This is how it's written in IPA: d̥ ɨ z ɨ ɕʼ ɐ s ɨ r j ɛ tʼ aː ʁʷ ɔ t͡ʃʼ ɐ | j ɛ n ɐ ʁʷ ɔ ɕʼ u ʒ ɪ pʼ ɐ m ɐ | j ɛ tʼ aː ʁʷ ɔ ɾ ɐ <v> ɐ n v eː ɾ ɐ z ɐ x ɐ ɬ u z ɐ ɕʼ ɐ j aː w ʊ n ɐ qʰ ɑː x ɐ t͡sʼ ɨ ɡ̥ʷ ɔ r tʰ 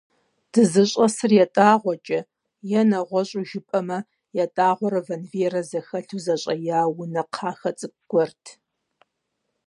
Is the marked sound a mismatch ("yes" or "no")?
no